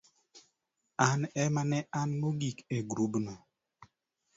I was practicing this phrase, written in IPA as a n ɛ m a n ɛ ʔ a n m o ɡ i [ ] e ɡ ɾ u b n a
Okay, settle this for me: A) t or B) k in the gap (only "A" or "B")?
B